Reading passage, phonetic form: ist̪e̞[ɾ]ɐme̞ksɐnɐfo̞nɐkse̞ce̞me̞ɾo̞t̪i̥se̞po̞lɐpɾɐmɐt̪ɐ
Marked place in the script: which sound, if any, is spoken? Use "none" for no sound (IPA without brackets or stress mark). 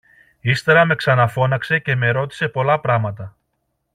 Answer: ɾ